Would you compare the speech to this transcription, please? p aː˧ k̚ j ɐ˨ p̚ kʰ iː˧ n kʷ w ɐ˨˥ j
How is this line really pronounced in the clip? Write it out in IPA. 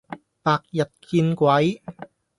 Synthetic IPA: p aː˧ k̚ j ɐ˨ t̚ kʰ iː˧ n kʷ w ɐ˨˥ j